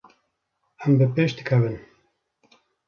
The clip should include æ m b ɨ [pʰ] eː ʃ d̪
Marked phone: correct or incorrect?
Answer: incorrect